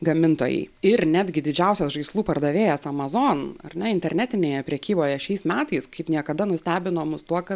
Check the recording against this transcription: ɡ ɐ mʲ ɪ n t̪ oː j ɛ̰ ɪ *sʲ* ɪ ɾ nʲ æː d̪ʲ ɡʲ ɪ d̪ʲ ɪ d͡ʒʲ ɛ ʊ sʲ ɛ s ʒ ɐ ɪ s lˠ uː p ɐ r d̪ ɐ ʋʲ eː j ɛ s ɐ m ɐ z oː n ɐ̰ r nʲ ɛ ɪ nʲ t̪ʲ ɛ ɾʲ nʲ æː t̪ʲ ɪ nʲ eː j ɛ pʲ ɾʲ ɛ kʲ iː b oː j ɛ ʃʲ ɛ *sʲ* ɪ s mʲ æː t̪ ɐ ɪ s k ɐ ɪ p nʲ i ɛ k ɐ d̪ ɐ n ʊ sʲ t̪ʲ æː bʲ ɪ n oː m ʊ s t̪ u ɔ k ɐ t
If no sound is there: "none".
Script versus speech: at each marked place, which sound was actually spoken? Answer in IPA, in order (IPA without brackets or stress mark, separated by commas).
none, none